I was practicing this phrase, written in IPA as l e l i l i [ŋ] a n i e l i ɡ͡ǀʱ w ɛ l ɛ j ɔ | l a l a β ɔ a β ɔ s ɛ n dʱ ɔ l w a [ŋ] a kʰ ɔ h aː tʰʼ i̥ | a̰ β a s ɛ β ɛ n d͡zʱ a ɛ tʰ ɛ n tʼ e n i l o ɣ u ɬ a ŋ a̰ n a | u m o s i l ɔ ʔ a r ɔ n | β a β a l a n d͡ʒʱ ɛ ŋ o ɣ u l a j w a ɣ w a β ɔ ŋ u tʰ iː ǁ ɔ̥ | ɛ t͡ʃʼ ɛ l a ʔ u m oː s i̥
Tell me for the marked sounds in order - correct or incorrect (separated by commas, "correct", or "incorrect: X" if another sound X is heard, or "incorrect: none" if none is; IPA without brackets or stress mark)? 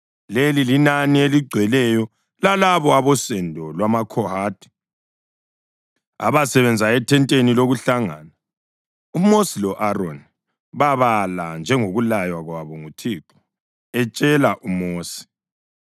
incorrect: n, incorrect: m